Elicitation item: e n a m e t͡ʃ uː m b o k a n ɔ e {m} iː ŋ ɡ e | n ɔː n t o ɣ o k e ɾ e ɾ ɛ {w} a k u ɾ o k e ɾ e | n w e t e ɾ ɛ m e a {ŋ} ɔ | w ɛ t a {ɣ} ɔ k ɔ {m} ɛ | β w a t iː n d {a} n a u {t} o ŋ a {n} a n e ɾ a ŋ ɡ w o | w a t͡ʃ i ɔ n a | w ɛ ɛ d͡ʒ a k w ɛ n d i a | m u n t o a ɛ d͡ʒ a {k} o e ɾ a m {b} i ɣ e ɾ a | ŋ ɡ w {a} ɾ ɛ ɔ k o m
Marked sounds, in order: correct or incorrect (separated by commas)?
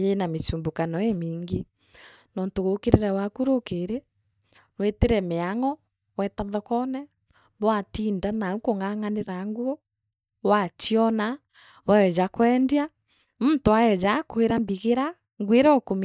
correct, correct, correct, incorrect, incorrect, correct, incorrect, incorrect, correct, correct, incorrect